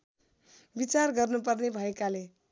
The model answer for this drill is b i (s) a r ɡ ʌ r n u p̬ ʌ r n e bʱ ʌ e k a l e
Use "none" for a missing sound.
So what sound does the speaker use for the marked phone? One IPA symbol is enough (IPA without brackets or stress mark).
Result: t͡s